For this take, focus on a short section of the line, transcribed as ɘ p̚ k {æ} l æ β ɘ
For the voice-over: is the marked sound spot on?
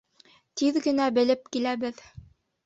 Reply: no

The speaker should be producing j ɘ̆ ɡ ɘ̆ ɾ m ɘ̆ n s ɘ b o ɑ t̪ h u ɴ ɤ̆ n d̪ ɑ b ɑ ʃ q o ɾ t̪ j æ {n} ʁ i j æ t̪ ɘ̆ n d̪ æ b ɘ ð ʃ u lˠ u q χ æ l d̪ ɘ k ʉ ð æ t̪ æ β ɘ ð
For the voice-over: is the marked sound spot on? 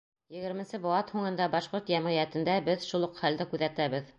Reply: no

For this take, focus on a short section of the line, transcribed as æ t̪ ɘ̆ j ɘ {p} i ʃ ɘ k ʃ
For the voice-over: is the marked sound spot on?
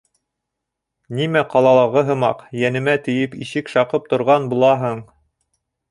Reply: yes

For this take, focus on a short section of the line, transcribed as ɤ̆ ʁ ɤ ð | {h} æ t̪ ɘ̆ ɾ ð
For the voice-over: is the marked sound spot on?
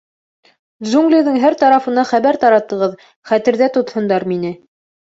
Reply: no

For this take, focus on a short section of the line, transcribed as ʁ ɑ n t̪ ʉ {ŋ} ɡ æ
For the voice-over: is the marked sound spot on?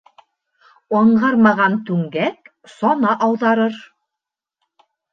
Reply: yes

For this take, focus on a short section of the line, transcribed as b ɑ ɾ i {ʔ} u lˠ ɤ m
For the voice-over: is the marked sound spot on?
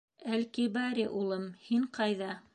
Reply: yes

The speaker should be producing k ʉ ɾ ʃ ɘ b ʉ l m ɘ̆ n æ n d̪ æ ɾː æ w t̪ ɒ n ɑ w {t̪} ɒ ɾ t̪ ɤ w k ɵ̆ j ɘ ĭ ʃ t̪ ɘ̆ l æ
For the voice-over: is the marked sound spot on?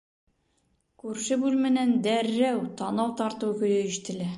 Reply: yes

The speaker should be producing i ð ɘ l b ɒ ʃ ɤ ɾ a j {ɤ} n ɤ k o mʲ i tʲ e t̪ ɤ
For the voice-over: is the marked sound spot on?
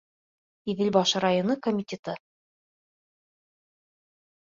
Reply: no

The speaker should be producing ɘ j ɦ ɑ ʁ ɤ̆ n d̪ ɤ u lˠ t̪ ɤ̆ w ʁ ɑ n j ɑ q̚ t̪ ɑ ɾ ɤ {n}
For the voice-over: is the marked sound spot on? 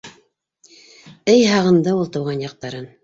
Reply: yes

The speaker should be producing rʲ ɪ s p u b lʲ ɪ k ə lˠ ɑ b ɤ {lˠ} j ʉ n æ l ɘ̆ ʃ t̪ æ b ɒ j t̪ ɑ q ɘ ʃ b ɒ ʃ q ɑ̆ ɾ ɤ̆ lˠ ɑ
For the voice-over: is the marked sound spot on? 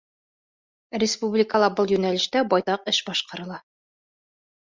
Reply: yes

